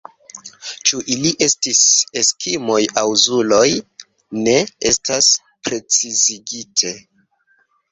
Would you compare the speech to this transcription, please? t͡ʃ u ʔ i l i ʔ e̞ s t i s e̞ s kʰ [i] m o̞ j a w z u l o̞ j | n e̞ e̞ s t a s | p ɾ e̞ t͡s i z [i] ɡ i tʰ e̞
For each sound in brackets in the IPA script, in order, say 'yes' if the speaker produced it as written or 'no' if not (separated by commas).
yes, yes